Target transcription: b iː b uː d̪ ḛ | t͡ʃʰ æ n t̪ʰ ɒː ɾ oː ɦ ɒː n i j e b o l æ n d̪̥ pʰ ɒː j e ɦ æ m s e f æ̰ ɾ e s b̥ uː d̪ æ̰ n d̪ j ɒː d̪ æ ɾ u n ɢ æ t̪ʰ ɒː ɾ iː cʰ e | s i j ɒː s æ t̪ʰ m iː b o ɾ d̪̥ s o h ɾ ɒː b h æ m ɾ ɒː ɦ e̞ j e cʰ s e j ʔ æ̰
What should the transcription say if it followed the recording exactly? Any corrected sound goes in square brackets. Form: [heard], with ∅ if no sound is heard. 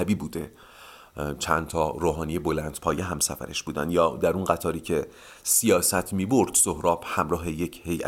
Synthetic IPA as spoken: b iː b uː d̪ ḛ | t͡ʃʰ æ n t̪ʰ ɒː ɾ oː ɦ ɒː n i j e b o l æ n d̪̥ pʰ ɒː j e ɦ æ m s [æ] f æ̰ ɾ e [ʃ] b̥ uː d̪ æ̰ n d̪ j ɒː d̪ æ ɾ u n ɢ æ t̪ʰ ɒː ɾ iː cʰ e | s i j ɒː s æ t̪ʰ m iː b o ɾ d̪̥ s o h ɾ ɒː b h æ m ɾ ɒː ɦ e̞ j e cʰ [h] e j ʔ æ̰